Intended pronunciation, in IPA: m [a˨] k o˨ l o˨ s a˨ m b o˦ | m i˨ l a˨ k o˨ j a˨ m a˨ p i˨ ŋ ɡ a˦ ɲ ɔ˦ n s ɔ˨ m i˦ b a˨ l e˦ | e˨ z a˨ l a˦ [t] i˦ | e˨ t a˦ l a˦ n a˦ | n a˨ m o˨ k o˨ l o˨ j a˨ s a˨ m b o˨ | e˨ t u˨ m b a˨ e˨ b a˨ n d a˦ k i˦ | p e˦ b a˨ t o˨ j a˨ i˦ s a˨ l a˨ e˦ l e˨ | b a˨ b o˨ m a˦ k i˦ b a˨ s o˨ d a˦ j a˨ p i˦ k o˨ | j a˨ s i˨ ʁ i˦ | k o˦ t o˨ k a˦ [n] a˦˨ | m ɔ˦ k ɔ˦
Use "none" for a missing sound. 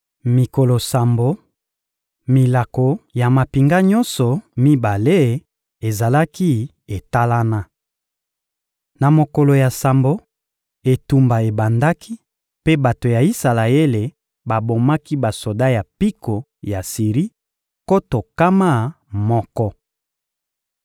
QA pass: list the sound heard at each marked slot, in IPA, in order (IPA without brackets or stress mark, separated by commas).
i˨, k, m